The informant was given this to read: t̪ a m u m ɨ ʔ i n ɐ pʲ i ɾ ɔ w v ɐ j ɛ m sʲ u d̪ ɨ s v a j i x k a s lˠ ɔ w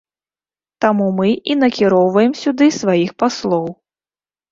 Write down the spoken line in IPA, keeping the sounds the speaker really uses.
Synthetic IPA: t̪ a m u m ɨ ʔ i n ɐ kʲ i ɾ ɔ w v ɐ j ɛ m sʲ u d̪ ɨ s v a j i x p a s lˠ ɔ w